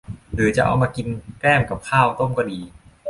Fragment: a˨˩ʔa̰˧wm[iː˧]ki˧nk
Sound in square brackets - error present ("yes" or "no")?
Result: yes